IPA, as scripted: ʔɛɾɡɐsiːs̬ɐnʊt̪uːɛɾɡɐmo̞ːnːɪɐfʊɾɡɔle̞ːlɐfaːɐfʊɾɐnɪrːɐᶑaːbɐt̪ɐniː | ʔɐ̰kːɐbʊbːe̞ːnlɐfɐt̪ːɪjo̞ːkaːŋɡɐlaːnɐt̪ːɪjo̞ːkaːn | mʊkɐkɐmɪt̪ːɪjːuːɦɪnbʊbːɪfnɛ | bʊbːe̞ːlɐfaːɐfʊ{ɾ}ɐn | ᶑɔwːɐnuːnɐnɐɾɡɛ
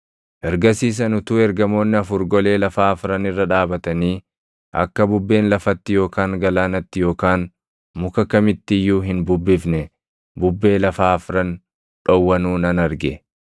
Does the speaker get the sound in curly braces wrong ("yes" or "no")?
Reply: no